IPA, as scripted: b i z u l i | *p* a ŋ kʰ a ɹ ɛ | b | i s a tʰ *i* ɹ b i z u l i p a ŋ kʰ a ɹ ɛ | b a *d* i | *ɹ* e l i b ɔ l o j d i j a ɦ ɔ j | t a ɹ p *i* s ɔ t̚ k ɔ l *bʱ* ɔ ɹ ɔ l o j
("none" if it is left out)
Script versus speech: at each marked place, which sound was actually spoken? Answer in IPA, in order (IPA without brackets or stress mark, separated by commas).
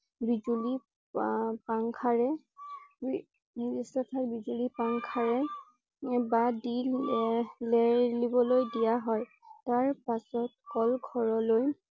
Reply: p, a, d, l, a, ɡʱ